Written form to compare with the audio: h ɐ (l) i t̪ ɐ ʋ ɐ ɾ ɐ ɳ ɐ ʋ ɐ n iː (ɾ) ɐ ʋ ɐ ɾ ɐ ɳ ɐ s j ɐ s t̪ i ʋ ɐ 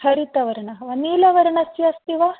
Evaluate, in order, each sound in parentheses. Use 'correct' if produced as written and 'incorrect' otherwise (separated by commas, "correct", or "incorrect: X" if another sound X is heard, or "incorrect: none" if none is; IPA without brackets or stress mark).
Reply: incorrect: ɾ, incorrect: l